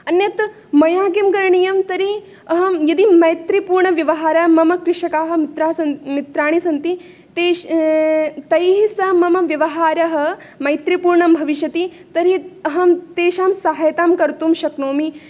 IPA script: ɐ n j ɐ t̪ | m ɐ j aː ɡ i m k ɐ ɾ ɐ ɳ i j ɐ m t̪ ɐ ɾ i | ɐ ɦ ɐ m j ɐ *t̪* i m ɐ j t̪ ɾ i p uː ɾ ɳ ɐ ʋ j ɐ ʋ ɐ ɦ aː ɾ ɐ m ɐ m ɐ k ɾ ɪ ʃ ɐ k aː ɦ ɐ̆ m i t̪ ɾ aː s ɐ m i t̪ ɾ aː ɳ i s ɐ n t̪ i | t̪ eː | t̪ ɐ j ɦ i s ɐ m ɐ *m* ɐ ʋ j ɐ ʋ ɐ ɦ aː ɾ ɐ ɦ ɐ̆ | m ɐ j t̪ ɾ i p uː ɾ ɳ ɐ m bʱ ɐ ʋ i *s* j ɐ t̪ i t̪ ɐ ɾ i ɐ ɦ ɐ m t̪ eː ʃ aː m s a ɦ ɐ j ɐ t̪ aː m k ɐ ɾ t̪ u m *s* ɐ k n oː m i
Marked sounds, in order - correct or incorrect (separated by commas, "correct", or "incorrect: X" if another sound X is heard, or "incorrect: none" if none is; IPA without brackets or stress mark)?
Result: incorrect: d̪, correct, incorrect: ʃ, incorrect: ʃ